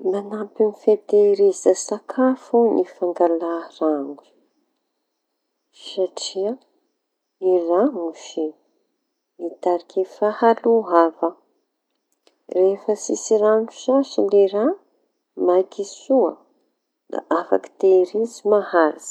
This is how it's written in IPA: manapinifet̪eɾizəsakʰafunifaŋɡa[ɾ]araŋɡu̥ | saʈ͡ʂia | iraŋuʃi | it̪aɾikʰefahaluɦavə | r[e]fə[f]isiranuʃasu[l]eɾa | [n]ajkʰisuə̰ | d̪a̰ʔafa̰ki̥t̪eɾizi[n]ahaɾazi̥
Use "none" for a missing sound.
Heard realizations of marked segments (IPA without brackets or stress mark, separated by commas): l, e, s, l, m, m